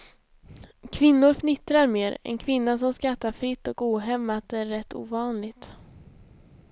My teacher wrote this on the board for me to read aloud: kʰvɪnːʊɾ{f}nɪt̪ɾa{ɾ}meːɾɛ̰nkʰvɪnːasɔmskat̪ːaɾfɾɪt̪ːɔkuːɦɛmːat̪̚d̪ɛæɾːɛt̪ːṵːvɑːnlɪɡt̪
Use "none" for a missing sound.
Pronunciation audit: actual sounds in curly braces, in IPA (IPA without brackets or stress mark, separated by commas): f, ɾ